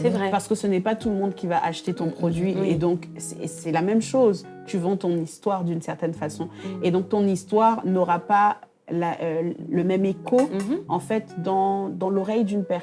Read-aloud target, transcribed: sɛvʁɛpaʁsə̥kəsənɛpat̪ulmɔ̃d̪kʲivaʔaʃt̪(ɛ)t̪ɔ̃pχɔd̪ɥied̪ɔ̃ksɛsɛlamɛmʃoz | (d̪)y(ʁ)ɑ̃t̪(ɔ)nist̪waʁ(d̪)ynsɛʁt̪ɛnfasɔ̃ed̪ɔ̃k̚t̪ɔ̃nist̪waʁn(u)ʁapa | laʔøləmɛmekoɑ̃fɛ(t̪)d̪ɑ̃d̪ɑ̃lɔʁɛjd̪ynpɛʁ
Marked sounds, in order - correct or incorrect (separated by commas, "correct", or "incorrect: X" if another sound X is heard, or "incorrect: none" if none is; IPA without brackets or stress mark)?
incorrect: e, incorrect: t̪, incorrect: v, incorrect: ɔ̃, correct, incorrect: ɔ, correct